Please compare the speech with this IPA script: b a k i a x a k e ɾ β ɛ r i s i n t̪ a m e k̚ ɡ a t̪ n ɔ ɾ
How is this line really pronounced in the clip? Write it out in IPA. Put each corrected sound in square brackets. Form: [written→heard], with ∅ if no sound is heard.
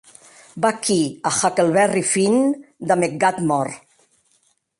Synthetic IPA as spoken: b a k i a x a k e [ɾ→l] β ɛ r i [s→f] i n [t̪→d̪] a m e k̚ ɡ a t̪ [n→m] ɔ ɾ